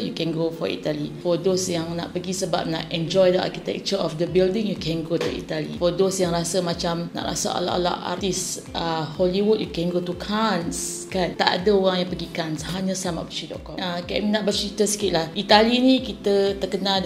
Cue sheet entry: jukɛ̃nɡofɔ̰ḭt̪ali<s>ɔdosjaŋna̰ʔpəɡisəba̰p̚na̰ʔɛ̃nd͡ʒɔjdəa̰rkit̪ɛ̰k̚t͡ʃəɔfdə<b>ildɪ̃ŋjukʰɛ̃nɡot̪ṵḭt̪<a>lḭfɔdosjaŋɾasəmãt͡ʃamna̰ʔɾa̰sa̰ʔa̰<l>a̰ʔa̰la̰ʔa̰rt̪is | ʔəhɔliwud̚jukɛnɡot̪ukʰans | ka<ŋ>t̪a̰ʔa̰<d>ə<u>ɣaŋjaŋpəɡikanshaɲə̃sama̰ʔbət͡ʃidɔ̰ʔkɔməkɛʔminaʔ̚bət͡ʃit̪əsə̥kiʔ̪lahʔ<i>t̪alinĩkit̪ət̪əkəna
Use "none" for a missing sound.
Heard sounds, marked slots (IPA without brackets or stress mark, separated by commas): f, b, a, l, n, d, o, i